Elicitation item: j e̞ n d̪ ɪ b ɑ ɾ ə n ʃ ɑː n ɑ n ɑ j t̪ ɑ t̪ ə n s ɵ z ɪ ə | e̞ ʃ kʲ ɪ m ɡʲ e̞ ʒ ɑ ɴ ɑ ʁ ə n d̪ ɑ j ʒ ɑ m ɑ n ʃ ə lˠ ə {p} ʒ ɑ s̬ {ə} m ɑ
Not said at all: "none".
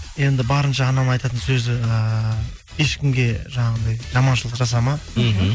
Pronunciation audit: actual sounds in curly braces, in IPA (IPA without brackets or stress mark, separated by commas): q, ɑ